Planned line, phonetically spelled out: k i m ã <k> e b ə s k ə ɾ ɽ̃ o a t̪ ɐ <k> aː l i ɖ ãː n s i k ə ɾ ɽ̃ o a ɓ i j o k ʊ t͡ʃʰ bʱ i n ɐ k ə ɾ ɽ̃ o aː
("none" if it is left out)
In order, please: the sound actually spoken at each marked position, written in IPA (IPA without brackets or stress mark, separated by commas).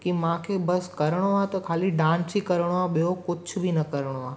kʰ, kʰ